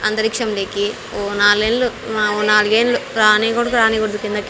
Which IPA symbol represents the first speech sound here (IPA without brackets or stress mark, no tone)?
ɐ